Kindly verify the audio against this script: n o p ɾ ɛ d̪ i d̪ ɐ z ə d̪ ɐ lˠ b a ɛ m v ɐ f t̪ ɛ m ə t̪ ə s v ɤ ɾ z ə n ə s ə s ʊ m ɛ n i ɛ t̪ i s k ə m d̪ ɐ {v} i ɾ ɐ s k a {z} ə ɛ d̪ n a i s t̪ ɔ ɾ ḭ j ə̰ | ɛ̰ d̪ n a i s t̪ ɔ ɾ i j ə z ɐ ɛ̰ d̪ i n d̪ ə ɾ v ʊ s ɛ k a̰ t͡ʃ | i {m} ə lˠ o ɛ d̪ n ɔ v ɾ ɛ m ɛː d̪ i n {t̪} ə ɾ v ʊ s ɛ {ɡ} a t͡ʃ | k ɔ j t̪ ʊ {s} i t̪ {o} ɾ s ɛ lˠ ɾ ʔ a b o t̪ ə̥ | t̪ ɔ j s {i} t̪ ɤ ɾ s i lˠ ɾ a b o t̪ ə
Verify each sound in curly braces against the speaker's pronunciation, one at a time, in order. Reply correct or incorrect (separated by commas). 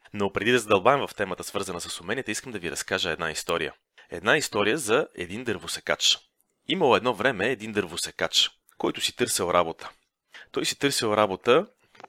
correct, incorrect, correct, incorrect, incorrect, correct, incorrect, correct